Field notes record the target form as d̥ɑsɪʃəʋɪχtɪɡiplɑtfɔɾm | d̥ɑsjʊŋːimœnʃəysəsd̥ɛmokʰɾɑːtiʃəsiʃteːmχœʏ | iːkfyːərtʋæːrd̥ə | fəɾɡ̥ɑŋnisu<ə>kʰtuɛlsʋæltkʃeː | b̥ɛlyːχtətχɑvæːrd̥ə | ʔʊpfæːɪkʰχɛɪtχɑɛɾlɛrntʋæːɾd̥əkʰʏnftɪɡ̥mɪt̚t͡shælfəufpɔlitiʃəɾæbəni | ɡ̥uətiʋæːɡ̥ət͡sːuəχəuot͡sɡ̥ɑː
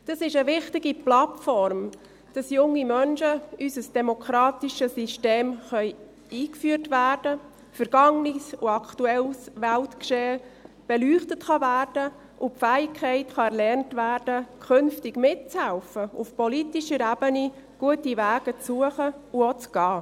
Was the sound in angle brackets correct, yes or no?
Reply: no